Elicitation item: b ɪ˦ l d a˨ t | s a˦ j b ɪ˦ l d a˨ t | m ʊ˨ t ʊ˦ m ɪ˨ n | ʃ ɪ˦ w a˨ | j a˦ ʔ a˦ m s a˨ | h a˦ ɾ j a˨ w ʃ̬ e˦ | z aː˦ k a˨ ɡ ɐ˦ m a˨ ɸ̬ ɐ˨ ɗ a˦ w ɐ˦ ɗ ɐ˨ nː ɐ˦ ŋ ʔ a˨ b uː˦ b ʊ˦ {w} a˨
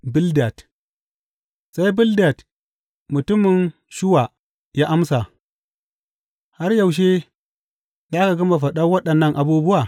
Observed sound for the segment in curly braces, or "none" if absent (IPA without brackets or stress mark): w